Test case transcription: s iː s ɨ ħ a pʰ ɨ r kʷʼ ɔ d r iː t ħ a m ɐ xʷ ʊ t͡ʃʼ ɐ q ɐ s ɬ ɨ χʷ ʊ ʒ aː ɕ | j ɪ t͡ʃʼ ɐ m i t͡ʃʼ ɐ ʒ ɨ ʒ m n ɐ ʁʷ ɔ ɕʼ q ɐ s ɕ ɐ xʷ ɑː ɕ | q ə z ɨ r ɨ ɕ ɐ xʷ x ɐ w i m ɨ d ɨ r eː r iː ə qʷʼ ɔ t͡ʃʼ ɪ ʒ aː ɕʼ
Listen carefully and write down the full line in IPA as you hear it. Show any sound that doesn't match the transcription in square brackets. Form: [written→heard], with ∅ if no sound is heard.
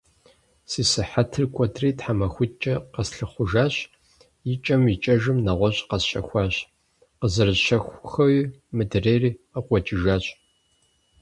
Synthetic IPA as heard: s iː s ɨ ħ a [pʰ→tʰ] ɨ r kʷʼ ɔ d r iː t ħ a m ɐ xʷ ʊ t͡ʃʼ ɐ q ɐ s ɬ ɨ χʷ ʊ ʒ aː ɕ | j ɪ t͡ʃʼ ɐ m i t͡ʃʼ ɐ ʒ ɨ [ʒ→∅] m n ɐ ʁʷ ɔ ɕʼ q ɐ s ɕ ɐ xʷ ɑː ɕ | q ə z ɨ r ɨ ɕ ɐ xʷ x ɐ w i m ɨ d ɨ r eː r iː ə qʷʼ ɔ t͡ʃʼ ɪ ʒ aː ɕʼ